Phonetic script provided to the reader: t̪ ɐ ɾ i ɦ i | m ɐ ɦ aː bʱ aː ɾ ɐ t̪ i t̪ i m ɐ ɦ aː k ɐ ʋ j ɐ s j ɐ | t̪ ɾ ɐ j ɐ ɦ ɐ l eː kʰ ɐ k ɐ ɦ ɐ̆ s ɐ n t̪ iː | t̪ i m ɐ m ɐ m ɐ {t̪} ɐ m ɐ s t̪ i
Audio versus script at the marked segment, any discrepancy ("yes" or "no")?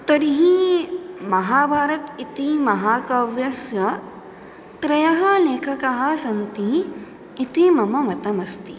no